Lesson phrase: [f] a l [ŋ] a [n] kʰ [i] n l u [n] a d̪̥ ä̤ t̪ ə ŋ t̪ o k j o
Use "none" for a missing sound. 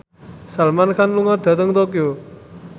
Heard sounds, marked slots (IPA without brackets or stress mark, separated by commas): s, m, n, a, ŋ